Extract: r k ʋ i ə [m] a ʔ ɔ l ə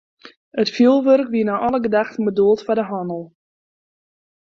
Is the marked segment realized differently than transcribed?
yes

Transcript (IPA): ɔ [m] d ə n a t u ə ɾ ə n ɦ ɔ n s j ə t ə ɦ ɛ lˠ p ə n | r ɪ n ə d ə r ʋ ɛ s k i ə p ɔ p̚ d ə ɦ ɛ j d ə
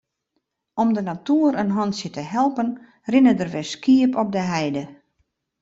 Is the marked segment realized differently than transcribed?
no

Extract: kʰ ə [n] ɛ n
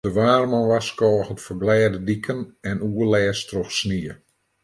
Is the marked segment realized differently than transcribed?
no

